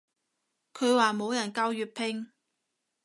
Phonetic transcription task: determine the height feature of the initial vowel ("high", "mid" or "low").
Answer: mid